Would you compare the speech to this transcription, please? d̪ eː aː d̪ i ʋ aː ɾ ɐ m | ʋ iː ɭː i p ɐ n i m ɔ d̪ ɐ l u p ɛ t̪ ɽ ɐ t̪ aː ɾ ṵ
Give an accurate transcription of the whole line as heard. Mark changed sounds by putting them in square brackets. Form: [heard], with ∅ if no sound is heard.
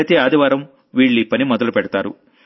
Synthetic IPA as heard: [t̪] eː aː d̪ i ʋ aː ɾ ɐ m | ʋ iː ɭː i p ɐ n i m ɔ d̪ ɐ l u p ɛ [∅] ɽ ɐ t̪ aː ɾ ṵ